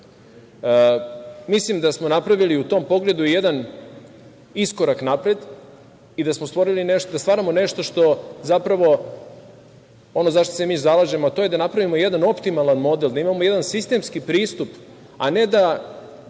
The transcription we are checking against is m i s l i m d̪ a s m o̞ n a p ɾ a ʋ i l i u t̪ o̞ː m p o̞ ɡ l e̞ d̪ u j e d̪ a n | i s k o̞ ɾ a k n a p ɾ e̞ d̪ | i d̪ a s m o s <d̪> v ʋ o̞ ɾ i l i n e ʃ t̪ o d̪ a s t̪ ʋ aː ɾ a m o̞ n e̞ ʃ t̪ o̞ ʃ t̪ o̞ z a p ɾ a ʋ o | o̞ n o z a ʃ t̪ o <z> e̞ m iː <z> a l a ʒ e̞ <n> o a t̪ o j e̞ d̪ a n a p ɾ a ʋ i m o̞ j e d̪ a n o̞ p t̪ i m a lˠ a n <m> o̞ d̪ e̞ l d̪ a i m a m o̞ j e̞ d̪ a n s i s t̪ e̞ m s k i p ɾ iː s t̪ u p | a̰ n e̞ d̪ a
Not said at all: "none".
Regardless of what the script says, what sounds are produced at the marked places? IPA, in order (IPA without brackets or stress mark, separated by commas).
t̪, s, z, m, m